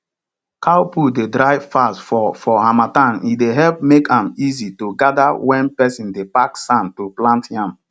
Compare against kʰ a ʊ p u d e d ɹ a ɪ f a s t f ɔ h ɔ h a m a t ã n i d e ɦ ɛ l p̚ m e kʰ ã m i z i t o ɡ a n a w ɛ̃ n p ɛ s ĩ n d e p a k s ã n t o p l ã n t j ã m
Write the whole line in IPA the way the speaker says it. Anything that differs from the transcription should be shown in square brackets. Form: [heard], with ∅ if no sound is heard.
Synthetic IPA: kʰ a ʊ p u d e d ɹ a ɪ f a s t f ɔ [f] ɔ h a m a t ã n i d e ɦ ɛ l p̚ m e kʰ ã m i z i t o ɡ a [d] a w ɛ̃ n p ɛ s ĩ n d e p a k s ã n t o p l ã n t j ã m